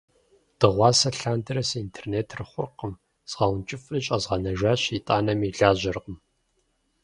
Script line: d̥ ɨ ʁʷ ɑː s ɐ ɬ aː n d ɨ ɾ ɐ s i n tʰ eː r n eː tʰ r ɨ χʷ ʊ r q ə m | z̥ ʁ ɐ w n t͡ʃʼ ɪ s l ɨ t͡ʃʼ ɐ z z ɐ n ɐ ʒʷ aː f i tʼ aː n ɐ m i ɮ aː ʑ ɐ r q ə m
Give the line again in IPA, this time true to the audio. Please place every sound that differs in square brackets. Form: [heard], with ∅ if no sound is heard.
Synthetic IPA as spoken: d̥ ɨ ʁʷ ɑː s ɐ ɬ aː n d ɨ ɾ ɐ s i n tʰ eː r n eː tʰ r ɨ χʷ ʊ r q ə m | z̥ ʁ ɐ w n t͡ʃʼ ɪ [f] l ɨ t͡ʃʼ ɐ z [ʁ] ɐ n ɐ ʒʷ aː [ɕ] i tʼ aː n ɐ m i ɮ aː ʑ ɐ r q ə m

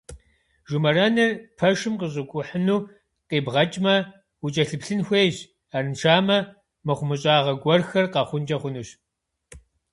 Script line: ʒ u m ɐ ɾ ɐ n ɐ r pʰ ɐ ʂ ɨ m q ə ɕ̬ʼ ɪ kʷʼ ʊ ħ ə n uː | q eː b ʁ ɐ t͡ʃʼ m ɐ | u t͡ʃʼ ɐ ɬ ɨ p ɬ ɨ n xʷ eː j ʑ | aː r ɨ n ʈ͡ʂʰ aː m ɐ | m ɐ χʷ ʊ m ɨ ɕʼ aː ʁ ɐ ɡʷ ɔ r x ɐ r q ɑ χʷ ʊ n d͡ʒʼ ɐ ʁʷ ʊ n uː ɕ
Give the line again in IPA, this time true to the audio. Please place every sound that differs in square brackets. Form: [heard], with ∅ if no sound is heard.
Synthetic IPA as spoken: ʒ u m ɐ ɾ ɐ n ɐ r pʰ ɐ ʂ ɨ m q ə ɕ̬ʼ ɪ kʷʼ ʊ ħ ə n uː | q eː b ʁ ɐ t͡ʃʼ m ɐ | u t͡ʃʼ ɐ ɬ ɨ p ɬ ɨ n xʷ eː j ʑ | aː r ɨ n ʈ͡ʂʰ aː m ɐ | m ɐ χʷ ʊ m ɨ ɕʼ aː ʁ ɐ ɡʷ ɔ r x ɐ r q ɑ χʷ ʊ n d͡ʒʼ ɐ [χʷ] ʊ n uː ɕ

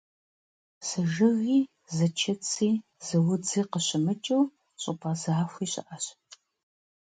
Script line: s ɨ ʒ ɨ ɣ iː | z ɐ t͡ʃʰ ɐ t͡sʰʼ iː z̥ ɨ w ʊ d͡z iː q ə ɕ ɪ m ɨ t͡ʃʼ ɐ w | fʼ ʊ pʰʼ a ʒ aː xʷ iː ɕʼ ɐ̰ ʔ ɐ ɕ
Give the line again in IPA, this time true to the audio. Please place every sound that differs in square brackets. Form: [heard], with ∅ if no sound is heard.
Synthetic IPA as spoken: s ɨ ʒ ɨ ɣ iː | z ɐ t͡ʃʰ ɐ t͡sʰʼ iː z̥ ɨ w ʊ d͡z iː q ə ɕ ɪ m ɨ t͡ʃʼ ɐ w | [ɕʼ] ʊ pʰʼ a [z] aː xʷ iː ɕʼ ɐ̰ ʔ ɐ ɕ

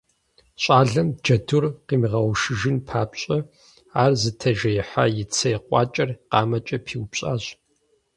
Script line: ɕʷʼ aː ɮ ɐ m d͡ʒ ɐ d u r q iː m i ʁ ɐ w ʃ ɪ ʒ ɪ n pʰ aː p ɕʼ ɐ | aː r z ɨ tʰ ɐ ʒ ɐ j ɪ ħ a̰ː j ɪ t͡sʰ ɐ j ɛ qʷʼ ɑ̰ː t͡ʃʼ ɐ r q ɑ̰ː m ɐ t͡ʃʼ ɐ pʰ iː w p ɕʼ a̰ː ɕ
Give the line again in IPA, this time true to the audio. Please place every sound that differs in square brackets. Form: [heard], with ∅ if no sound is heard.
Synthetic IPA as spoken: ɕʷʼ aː ɮ ɐ m d͡ʒ ɐ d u r q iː m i ʁ ɐ w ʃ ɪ ʒ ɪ n pʰ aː p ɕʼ ɐ | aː r z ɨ tʰ ɐ ʒ ɐ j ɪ ħ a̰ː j ɪ t͡sʰ ɐ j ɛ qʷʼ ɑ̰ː t͡ʃʼ ɐ r q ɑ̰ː m ɐ t͡ʃʼ ɐ pʰ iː w p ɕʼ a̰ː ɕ

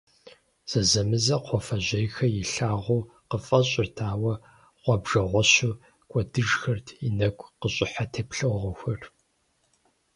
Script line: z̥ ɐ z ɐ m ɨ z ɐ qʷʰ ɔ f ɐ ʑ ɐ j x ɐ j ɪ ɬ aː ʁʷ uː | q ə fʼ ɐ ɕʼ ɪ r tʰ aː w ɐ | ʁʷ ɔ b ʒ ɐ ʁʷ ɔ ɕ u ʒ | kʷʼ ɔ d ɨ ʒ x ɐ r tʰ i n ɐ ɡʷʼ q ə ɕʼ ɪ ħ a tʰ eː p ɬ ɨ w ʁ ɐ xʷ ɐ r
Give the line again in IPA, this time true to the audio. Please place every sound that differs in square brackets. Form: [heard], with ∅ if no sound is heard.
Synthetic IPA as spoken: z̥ ɐ z ɐ m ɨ z ɐ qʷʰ ɔ f ɐ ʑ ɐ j x ɐ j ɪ ɬ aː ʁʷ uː | q ə fʼ ɐ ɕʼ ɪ r tʰ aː w ɐ | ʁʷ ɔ b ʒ ɐ ʁʷ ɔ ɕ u [∅] | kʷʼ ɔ d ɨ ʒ x ɐ r tʰ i n ɐ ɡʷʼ q ə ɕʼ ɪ ħ a tʰ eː p ɬ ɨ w ʁ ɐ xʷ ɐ r

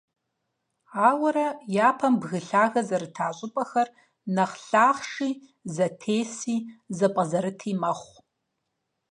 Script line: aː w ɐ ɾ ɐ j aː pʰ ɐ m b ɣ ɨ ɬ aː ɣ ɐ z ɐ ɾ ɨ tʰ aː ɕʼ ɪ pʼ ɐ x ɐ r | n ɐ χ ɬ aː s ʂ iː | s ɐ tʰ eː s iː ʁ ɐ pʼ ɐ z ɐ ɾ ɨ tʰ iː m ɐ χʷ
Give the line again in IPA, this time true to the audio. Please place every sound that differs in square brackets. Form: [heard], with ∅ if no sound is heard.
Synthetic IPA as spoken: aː w ɐ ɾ ɐ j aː pʰ ɐ m b ɣ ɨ ɬ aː ɣ ɐ z ɐ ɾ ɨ tʰ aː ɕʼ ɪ pʼ ɐ x ɐ r | n ɐ χ ɬ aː [χ] ʂ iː | [z] ɐ tʰ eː s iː [z] ɐ pʼ ɐ z ɐ ɾ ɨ tʰ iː m ɐ χʷ

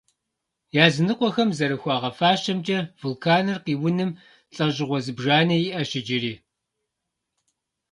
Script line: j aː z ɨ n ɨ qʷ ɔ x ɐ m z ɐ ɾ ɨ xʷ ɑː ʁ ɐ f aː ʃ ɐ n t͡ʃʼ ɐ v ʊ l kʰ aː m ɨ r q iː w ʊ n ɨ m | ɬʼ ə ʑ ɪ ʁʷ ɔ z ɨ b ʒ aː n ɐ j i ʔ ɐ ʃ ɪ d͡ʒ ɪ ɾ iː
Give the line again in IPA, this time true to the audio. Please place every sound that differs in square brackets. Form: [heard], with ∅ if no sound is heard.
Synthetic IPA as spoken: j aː z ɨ n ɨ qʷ ɔ x ɐ m z ɐ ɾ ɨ xʷ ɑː ʁ ɐ f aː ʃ ɐ [m] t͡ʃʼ ɐ v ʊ l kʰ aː [n] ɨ r q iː w ʊ n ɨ m | ɬʼ [ɐ] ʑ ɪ ʁʷ ɔ z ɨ b ʒ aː n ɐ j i ʔ ɐ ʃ ɪ d͡ʒ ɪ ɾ iː

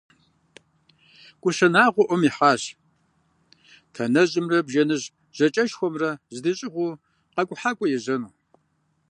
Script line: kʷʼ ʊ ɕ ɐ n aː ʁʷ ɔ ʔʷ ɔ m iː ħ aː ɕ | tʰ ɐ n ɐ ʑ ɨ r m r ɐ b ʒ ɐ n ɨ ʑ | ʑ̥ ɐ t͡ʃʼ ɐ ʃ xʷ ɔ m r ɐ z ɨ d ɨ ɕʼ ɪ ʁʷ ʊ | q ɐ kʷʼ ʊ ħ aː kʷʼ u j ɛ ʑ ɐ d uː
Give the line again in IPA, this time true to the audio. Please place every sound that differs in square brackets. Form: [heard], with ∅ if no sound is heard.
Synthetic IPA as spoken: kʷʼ ʊ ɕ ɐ n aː ʁʷ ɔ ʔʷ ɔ m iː ħ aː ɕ | tʰ ɐ n ɐ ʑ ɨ [∅] m r ɐ b ʒ ɐ n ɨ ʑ | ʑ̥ ɐ t͡ʃʼ ɐ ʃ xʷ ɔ m r ɐ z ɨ d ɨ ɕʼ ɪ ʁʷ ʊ | q ɐ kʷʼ ʊ ħ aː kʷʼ [ɔ] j ɛ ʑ ɐ [n] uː

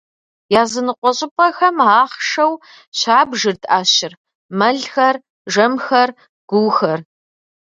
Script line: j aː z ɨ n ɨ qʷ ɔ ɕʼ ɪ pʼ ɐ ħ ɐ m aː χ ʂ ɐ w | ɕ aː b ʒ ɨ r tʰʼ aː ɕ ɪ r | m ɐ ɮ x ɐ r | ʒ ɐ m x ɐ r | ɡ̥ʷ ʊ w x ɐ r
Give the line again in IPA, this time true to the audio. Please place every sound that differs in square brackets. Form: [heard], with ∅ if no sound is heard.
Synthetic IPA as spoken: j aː z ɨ n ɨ qʷ ɔ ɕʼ ɪ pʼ ɐ [x] ɐ m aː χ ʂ ɐ w | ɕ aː b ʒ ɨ r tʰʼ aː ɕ ɪ r | m ɐ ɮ x ɐ r | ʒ ɐ m x ɐ r | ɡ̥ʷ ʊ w x ɐ r

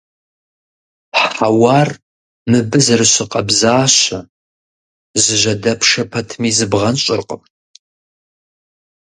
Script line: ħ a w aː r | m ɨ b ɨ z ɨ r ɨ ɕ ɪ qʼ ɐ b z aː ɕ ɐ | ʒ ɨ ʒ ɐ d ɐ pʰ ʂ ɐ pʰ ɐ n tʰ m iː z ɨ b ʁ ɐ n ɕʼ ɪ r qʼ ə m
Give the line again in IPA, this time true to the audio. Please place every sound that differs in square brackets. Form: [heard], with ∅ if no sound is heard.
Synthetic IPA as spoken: ħ a w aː r | m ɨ b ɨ z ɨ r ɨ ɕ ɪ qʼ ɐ b z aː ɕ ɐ | [z] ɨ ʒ ɐ d ɐ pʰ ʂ ɐ pʰ ɐ [∅] tʰ m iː z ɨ b ʁ ɐ n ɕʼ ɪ r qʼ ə m

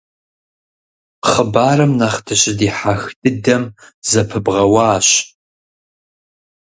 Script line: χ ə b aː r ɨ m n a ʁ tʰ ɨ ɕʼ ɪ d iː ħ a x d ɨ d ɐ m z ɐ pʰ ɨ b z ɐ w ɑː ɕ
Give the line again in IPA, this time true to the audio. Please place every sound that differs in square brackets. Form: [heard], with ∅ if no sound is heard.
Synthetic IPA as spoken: χ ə b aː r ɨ m n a [χ] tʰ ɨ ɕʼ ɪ d iː ħ a x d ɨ d ɐ m z ɐ pʰ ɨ b [ʁ] ɐ w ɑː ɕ

